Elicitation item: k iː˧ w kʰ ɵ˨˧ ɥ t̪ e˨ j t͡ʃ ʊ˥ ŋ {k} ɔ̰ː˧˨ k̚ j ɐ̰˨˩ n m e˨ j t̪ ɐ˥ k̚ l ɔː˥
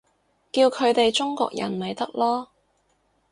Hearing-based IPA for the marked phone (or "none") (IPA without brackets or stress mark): k